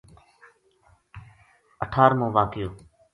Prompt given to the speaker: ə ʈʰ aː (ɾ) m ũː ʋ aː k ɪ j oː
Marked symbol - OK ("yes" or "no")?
yes